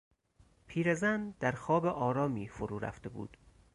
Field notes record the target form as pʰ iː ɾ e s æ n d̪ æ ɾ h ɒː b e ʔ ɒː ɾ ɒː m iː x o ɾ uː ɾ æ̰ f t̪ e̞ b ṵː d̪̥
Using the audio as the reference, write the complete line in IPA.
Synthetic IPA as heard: pʰ iː ɾ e z æ n d̪ æ ɾ x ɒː b e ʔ ɒː ɾ ɒː m iː f o ɾ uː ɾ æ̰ f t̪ e̞ b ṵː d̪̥